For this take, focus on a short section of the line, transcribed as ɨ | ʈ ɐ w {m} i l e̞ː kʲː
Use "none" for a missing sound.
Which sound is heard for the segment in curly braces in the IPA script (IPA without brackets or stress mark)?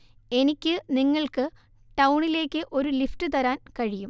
ɳ